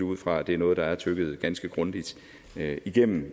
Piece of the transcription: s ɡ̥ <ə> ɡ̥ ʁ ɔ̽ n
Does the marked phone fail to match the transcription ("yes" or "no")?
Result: no